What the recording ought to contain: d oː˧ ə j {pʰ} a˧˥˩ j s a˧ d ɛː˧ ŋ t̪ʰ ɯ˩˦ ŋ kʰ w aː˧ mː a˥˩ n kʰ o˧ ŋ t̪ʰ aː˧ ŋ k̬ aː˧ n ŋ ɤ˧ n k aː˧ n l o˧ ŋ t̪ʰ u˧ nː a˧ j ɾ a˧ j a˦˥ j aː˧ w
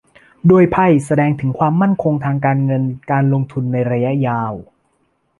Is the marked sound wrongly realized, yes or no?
no